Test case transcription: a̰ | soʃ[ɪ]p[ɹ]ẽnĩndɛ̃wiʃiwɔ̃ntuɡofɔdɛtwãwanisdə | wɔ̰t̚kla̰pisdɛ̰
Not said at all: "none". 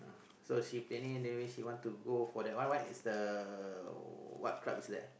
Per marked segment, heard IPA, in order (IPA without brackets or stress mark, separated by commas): i, l